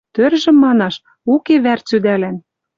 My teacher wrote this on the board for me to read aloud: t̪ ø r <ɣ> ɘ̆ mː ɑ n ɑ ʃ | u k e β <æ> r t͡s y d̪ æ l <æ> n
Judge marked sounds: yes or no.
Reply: no, yes, yes

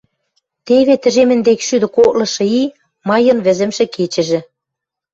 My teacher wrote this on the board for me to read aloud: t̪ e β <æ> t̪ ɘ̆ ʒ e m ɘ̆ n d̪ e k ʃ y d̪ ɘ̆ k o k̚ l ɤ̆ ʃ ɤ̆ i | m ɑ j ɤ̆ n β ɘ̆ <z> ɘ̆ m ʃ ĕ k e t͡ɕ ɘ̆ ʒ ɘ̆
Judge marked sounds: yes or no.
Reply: no, yes

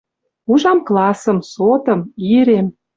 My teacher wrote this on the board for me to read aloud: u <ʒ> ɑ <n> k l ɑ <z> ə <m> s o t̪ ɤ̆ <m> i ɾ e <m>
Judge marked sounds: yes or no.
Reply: yes, no, no, yes, yes, yes

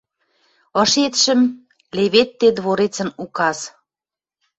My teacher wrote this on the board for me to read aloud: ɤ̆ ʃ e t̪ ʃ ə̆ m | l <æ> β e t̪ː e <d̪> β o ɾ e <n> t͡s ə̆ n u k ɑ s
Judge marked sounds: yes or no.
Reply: no, yes, no

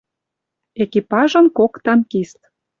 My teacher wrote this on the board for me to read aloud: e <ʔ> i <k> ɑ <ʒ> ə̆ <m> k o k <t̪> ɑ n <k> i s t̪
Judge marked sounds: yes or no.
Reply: no, no, yes, no, yes, yes

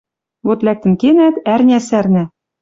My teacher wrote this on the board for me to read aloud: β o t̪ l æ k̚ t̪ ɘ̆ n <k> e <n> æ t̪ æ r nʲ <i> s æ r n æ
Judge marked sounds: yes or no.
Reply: yes, yes, no

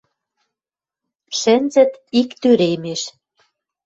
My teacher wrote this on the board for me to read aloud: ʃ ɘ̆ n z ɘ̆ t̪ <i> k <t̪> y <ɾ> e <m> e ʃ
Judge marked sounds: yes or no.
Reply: yes, yes, yes, yes

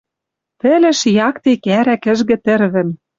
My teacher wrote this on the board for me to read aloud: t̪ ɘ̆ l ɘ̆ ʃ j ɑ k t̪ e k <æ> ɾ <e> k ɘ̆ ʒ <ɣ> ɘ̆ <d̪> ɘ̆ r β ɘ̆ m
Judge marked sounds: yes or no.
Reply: yes, no, yes, no

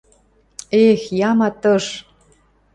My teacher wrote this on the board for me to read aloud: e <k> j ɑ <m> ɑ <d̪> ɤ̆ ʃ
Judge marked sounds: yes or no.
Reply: no, yes, no

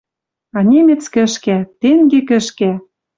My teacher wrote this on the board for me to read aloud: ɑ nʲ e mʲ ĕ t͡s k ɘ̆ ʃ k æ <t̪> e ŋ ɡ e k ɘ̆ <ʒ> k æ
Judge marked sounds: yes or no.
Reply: yes, no

